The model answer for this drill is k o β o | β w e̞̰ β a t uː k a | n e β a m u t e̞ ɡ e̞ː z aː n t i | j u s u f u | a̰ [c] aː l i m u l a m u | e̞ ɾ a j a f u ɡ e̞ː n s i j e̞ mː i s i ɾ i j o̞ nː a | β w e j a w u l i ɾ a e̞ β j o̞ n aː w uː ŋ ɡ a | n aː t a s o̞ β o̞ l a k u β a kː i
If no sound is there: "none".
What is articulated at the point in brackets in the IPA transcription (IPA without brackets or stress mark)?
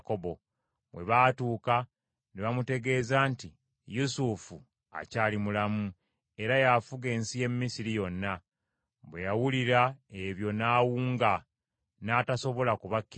c